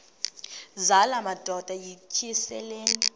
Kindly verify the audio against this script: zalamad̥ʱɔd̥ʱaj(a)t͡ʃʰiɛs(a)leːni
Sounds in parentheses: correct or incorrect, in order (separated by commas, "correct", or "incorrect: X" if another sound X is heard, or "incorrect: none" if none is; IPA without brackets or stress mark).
incorrect: i, incorrect: ɛ